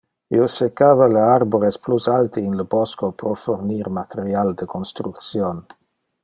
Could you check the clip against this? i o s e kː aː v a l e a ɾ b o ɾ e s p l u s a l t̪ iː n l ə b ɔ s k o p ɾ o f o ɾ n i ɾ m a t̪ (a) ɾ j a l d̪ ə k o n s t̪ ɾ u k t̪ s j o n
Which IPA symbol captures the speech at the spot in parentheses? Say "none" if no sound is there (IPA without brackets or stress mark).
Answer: e